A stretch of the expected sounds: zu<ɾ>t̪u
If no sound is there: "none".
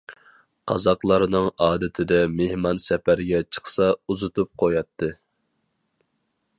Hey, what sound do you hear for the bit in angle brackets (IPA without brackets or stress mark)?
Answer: none